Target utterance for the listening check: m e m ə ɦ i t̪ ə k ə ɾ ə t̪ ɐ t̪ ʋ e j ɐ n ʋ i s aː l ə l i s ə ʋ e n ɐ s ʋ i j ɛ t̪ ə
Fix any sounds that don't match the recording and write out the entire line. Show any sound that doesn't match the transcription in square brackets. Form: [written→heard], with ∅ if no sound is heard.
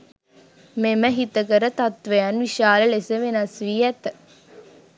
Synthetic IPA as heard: m e m ə ɦ i t̪ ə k ə ɾ ə t̪ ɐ t̪ ʋ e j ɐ n ʋ i [s→ʃ] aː l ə l [i→e] s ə ʋ e n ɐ s ʋ i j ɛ t̪ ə